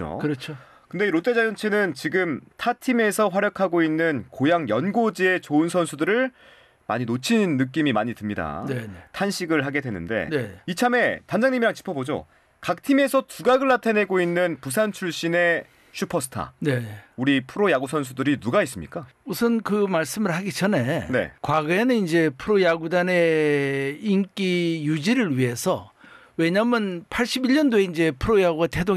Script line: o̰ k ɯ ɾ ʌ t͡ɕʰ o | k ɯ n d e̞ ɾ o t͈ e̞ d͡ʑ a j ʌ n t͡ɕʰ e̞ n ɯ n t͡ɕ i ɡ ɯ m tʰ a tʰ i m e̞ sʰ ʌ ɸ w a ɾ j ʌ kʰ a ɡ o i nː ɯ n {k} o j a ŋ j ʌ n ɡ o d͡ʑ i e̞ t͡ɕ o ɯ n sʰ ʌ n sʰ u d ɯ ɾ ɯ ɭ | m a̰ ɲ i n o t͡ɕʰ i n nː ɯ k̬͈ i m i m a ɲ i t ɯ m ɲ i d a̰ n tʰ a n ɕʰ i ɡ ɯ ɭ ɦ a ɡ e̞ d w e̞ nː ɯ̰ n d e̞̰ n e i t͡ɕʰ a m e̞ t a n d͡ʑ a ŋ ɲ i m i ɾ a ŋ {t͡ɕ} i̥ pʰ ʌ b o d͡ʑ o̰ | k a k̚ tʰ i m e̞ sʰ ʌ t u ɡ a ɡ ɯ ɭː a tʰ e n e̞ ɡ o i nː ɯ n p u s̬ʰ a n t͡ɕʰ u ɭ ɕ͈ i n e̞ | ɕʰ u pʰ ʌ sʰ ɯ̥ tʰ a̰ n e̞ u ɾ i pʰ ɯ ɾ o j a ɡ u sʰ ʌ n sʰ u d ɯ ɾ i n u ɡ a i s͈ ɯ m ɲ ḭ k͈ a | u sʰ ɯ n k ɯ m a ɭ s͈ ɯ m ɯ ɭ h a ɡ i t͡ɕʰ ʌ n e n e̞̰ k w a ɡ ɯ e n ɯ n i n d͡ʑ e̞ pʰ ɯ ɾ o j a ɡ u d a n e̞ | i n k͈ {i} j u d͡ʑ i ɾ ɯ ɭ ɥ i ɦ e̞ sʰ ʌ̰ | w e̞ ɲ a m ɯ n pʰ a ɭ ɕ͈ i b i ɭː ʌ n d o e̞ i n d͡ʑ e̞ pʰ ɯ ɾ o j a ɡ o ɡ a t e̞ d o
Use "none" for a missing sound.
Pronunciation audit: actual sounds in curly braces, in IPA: k, t͡ɕ, i

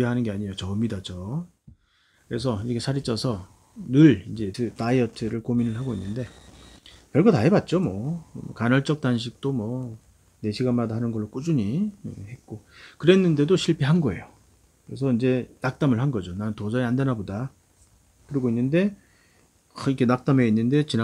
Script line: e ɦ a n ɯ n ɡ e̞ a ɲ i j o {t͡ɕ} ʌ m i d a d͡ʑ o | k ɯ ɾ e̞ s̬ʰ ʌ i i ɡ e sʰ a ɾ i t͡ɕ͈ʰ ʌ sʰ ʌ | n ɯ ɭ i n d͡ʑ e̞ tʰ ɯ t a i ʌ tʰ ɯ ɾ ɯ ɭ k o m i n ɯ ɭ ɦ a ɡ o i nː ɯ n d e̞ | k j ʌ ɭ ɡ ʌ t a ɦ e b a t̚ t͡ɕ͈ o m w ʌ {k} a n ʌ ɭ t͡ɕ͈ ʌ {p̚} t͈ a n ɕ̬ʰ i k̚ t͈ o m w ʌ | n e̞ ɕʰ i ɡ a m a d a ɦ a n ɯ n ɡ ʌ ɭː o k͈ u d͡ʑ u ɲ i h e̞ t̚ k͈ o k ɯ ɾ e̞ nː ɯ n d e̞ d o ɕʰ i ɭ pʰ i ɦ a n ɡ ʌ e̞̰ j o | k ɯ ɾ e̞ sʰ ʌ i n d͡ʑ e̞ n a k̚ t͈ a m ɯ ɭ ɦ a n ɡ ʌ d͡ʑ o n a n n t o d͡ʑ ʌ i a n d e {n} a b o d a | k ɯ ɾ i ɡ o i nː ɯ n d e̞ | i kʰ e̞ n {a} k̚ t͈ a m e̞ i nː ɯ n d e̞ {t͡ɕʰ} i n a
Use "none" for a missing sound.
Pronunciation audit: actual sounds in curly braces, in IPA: t͡ɕ, k, k̚, n, a, t͡ɕ

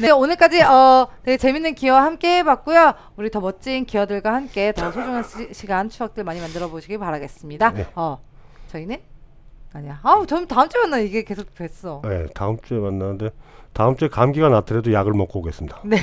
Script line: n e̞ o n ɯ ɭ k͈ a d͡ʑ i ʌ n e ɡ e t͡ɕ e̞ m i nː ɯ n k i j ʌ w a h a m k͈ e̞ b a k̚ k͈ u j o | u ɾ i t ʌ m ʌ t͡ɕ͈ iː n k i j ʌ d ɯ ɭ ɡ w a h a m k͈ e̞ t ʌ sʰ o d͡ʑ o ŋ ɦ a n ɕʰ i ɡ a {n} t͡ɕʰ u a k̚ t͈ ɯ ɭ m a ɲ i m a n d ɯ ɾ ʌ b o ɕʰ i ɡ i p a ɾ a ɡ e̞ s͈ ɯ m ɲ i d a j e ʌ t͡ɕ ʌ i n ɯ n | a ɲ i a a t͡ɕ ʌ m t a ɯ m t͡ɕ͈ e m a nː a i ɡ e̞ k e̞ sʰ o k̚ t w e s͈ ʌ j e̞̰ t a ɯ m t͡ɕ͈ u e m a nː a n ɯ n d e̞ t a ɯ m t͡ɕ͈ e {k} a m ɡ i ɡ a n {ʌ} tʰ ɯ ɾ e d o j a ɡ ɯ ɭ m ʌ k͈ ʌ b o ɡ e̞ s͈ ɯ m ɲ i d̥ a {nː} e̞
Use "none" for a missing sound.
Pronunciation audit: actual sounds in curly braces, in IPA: n, k, a, n

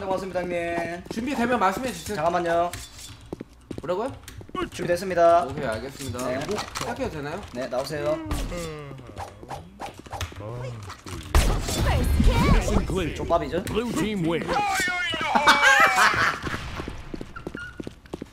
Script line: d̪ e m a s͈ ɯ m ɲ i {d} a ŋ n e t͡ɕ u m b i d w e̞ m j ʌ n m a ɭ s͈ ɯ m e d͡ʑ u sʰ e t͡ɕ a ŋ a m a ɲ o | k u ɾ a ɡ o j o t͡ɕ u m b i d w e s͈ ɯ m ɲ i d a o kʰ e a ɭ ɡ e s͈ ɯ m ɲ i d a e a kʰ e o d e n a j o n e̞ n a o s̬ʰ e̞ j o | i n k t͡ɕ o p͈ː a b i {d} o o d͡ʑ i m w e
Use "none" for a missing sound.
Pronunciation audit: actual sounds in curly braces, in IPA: d, d͡ʑ

